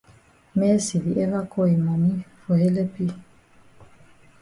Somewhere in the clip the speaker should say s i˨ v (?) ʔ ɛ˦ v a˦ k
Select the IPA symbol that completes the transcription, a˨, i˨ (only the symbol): i˨